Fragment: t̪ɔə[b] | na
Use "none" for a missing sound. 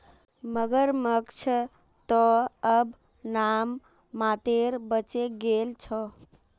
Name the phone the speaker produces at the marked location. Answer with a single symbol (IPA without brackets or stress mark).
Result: b